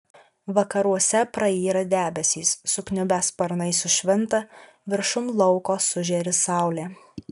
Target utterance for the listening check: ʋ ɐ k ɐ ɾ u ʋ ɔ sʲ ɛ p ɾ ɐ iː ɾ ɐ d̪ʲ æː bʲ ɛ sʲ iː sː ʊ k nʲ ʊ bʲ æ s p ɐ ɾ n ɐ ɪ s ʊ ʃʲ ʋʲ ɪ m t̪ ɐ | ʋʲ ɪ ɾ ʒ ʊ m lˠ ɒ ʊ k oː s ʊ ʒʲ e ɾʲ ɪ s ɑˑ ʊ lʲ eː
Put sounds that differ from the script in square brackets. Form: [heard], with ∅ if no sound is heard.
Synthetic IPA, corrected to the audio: ʋ ɐ k ɐ ɾ u [∅] ɔ sʲ ɛ p ɾ ɐ iː ɾ ɐ d̪ʲ æː bʲ ɛ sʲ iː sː ʊ k nʲ ʊ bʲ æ s p ɐ ɾ n ɐ ɪ s ʊ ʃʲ ʋʲ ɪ [n] t̪ ɐ | ʋʲ ɪ ɾ [ʃ] ʊ m lˠ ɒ ʊ k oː s ʊ ʒʲ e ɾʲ ɪ s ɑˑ ʊ lʲ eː